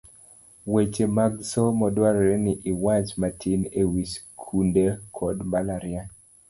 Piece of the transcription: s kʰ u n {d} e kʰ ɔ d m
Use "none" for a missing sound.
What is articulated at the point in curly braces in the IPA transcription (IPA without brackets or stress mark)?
d